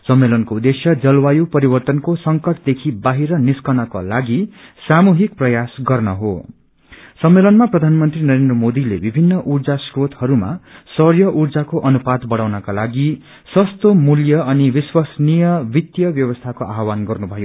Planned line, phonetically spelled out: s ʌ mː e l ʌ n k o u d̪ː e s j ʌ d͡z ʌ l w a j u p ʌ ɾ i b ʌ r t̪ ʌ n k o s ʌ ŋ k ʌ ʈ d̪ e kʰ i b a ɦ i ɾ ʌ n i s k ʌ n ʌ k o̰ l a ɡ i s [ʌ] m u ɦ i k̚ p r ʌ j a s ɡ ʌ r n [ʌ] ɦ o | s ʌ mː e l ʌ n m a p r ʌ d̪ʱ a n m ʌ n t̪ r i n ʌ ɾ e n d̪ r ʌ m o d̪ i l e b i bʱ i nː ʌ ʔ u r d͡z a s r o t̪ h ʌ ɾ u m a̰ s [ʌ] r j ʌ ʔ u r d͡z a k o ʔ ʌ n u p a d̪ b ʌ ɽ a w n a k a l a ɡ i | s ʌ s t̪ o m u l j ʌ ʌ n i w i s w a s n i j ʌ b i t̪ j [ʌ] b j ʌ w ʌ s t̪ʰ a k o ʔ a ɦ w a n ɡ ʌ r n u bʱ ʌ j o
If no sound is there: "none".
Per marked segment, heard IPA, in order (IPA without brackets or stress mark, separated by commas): a, ʌ, ʌ, ʌ